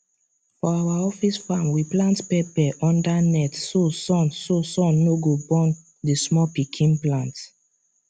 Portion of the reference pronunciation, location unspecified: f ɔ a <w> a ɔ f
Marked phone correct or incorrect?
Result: correct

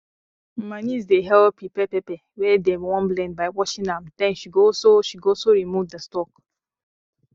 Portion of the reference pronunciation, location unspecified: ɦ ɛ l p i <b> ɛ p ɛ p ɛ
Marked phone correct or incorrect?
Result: incorrect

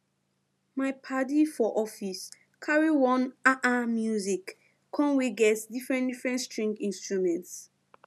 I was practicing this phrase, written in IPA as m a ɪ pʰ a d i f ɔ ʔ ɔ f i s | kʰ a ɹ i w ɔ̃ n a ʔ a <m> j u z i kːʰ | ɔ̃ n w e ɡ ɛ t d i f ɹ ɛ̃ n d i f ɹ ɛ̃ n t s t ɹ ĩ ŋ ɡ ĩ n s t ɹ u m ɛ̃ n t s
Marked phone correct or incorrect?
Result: correct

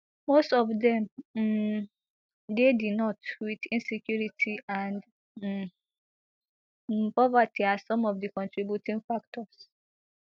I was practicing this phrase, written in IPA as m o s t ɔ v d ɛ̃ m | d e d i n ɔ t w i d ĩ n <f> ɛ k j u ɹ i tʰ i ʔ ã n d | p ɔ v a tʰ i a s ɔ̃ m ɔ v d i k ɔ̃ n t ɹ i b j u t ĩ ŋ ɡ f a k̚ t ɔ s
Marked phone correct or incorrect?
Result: incorrect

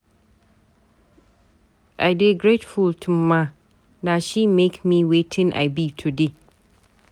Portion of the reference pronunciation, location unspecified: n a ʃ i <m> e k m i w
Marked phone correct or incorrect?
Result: correct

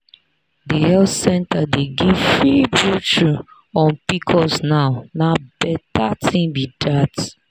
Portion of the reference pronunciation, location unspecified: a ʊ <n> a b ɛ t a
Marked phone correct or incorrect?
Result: correct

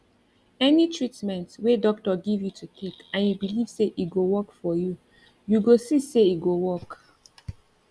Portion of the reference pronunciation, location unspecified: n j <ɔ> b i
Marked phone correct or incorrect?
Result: incorrect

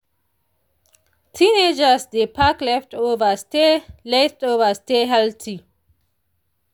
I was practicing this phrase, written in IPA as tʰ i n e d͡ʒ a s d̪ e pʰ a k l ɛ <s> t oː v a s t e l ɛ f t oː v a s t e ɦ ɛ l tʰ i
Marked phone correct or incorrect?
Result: incorrect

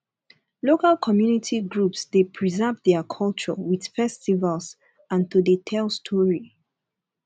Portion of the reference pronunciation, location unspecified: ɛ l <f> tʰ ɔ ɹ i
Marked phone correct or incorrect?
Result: incorrect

